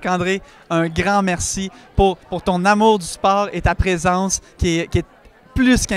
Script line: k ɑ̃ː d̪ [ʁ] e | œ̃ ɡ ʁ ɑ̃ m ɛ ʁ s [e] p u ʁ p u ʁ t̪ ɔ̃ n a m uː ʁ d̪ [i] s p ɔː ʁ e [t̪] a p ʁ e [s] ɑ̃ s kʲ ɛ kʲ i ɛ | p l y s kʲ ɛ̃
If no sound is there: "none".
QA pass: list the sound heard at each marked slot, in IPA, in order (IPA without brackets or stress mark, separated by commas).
ʁ, i, y, t̪, z